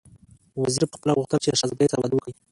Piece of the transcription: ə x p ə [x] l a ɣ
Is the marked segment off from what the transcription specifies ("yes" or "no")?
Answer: yes